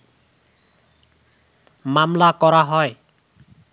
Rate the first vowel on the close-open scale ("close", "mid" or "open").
open